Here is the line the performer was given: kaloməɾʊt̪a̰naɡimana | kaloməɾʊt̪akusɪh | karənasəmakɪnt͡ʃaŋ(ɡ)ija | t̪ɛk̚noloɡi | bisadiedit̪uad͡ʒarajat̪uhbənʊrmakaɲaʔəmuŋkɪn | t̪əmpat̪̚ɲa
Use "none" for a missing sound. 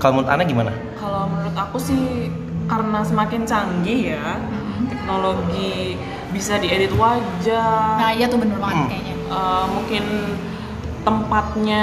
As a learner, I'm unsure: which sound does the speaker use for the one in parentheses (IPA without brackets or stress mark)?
ɡ